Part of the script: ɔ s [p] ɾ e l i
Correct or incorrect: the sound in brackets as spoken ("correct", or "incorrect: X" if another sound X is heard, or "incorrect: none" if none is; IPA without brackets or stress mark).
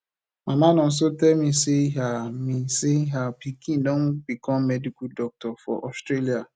incorrect: t